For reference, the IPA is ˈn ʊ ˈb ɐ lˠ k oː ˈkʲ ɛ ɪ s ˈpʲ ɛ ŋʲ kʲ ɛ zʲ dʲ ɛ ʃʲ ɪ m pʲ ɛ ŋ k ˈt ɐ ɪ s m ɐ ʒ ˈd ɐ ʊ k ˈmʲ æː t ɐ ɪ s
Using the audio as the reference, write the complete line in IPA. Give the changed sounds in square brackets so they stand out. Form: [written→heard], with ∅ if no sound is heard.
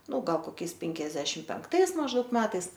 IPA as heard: ˈn ʊ [ˈb→ˈɡ] ɐ lˠ k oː ˈkʲ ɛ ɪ s ˈpʲ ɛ ŋʲ kʲ ɛ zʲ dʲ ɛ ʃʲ ɪ m pʲ ɛ ŋ k ˈt ɐ ɪ s m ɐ ʒ ˈd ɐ ʊ k ˈmʲ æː t ɐ ɪ s